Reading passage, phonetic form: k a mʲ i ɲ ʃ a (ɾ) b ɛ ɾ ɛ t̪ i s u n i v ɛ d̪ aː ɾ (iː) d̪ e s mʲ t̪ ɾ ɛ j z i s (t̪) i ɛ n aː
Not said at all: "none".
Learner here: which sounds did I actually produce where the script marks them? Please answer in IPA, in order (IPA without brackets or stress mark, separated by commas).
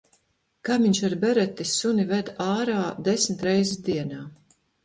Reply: ɾ, aː, d̪